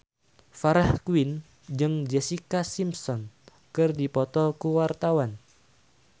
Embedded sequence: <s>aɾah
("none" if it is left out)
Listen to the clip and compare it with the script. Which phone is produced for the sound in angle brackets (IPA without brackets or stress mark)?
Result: f